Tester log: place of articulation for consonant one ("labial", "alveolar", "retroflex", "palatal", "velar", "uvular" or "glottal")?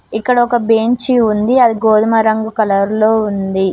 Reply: velar